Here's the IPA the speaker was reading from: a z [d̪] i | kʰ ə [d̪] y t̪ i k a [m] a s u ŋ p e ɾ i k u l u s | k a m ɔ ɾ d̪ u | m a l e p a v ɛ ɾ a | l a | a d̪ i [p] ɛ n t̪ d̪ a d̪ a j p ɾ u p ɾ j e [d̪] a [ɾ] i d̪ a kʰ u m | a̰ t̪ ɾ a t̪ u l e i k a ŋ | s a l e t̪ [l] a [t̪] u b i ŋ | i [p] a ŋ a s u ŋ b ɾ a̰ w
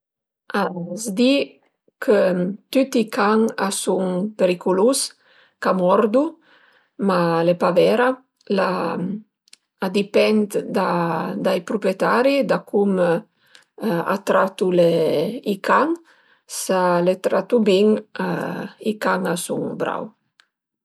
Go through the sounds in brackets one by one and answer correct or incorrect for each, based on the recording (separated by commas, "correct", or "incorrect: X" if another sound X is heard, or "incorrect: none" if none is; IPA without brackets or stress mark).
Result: correct, incorrect: t̪, incorrect: ŋ, correct, incorrect: t̪, correct, incorrect: ɾ, correct, incorrect: k